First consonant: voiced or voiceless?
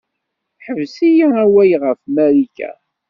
voiceless